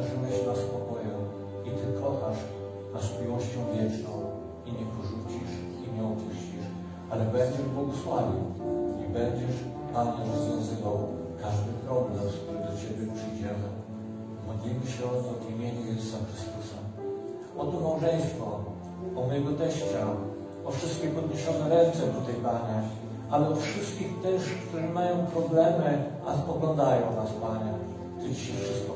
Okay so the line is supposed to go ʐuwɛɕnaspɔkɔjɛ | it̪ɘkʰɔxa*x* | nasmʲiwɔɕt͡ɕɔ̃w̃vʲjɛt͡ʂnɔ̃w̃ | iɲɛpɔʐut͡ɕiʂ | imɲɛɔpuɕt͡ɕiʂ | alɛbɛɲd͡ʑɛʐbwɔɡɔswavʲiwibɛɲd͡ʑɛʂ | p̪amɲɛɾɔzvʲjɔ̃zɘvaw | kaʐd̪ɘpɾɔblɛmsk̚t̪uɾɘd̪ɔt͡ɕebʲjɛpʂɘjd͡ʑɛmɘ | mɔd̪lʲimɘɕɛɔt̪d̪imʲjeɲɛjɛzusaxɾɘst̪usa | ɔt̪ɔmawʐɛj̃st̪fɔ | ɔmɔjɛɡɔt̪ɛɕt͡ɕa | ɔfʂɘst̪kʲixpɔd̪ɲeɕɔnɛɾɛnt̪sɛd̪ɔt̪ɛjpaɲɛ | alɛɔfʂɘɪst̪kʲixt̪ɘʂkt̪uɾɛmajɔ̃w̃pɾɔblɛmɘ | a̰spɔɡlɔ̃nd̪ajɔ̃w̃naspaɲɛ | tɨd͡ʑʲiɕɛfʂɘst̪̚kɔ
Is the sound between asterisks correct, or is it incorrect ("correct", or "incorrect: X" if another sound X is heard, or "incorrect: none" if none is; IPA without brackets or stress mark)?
incorrect: ʂ